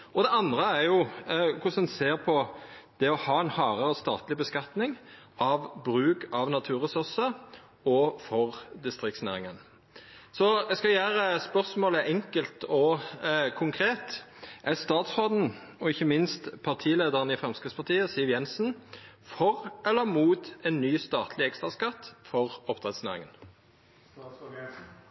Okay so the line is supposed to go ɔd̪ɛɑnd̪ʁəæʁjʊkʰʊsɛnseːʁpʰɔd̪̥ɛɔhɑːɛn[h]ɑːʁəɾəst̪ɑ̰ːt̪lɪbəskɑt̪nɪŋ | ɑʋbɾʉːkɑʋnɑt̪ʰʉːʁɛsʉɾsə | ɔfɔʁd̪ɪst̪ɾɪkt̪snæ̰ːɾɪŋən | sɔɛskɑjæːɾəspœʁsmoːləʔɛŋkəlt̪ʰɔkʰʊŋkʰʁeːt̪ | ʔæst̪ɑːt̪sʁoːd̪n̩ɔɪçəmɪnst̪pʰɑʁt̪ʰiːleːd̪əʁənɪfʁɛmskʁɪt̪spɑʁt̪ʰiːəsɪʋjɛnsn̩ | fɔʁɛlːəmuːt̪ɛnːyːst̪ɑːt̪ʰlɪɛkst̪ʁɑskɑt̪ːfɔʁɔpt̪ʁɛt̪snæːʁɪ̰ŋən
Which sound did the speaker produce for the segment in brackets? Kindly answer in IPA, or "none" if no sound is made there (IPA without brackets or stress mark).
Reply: h